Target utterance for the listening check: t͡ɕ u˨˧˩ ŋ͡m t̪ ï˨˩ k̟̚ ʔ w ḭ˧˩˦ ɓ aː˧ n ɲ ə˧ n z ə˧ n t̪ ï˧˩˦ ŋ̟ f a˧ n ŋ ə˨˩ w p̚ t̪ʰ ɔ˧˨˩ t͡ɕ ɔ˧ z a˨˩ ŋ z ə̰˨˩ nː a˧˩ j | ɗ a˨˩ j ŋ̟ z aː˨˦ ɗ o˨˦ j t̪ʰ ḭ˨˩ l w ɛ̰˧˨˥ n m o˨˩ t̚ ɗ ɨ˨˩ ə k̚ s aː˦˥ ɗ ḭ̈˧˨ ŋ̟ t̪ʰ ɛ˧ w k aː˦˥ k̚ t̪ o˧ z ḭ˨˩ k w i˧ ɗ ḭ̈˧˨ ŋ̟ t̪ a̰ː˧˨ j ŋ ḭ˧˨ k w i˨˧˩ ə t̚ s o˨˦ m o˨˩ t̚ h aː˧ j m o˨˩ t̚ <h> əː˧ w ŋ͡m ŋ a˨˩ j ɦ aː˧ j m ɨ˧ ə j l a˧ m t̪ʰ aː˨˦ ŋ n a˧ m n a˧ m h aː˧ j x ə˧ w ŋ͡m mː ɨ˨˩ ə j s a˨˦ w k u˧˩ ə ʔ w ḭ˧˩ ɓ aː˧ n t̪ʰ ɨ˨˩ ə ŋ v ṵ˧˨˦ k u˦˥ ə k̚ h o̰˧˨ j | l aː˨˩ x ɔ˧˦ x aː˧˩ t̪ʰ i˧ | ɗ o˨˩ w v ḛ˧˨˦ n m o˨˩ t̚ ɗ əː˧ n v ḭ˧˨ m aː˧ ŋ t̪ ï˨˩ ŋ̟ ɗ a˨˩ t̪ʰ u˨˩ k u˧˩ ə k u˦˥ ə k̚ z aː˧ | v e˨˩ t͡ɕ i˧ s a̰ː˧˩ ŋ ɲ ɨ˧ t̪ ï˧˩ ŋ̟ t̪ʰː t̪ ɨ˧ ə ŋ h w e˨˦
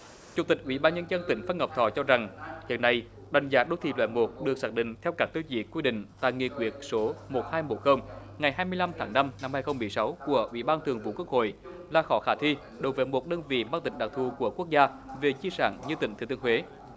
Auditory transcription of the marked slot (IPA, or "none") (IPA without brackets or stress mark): x